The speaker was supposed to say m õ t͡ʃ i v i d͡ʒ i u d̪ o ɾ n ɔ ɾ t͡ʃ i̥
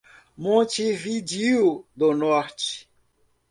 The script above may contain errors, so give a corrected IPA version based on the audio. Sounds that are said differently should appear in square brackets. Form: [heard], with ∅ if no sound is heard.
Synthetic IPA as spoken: m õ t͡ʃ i v i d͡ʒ i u d̪ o [∅] n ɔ ɾ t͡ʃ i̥